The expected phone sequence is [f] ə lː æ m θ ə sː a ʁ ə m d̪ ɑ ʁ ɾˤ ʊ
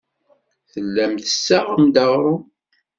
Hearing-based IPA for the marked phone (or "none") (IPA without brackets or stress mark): θ